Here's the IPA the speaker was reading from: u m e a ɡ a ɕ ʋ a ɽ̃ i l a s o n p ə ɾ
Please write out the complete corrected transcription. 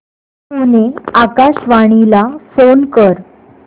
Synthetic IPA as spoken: u n e a k a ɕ ʋ a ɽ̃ i l a f o n k ə ɾ